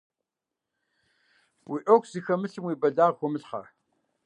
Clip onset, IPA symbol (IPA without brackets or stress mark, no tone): w